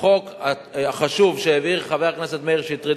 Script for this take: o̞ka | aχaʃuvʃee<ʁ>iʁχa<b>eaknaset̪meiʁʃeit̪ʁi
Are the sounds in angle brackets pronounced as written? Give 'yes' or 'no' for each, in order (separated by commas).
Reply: no, no